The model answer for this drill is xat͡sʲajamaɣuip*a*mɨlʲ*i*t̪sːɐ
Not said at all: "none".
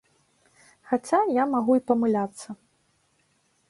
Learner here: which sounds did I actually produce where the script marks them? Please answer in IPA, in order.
ɐ, a

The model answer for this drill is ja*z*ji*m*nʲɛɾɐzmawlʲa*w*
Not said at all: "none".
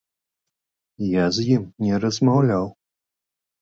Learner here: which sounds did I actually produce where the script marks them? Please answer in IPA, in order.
z, m, w

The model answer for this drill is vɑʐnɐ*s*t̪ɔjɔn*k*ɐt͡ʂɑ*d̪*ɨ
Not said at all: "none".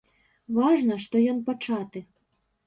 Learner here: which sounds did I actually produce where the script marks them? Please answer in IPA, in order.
ʂ, p, t̪

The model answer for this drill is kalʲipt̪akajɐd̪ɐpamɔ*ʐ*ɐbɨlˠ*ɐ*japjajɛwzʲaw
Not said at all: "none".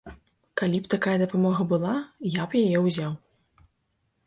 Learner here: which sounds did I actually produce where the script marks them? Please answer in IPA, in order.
ɣ, a

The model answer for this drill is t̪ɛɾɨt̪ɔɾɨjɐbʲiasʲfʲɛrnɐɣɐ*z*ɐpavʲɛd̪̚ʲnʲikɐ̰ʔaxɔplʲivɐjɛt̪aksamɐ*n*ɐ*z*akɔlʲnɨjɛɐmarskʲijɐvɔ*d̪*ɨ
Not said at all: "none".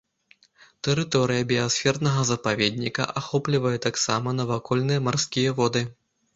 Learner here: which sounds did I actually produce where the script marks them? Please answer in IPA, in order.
z, n, v, d̪

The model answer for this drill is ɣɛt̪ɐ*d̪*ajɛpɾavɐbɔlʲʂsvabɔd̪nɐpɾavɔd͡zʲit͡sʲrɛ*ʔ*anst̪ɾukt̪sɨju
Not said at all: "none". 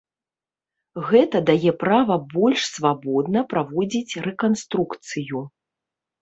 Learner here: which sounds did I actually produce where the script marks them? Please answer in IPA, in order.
d̪, k

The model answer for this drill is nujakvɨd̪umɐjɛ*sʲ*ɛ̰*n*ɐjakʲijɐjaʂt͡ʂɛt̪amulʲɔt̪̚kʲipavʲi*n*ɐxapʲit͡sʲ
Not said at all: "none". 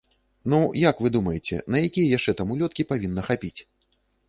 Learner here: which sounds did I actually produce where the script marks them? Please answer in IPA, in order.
t͡sʲ, n, nː

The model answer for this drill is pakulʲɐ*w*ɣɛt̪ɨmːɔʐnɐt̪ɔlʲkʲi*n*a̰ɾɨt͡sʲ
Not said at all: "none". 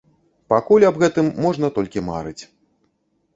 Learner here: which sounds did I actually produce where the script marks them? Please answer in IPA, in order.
b, m

